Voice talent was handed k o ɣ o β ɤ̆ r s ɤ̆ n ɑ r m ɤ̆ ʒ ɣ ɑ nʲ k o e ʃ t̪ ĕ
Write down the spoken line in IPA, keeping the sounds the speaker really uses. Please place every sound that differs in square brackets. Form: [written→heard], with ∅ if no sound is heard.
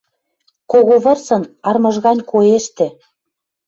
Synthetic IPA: k o ɣ o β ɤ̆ r s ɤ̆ n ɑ r m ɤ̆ ʒ ɣ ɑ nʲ k o e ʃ t̪ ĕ